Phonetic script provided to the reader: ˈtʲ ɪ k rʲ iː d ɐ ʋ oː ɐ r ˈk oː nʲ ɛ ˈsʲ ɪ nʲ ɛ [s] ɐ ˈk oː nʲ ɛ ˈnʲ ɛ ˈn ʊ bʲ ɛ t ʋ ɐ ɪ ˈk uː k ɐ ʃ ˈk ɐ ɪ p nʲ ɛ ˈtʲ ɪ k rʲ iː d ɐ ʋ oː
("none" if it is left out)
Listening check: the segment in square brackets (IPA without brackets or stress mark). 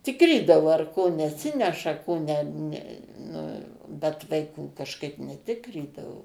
ʃ